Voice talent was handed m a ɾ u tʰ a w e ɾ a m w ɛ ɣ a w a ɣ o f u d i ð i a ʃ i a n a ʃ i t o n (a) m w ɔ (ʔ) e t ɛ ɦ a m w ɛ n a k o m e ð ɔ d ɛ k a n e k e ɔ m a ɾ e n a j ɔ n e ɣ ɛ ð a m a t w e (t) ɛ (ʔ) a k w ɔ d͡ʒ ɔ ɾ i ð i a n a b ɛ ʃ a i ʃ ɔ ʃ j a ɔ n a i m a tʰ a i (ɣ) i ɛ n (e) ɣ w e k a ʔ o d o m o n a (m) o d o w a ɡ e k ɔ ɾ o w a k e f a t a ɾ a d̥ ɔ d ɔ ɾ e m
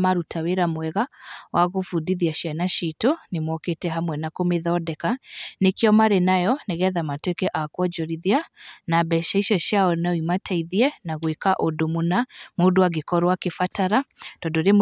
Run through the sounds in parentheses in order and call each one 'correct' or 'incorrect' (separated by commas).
incorrect, incorrect, incorrect, correct, incorrect, incorrect, correct